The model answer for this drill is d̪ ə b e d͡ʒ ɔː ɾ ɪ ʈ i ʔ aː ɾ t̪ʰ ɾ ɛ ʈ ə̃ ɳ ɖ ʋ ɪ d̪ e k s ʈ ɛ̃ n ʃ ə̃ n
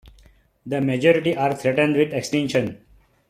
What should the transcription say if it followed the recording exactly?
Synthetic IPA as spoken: d̪ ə m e d͡ʒ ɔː ɾ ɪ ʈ i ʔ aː ɾ t̪ʰ ɾ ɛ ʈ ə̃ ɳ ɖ ʋ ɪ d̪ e k s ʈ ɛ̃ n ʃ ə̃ n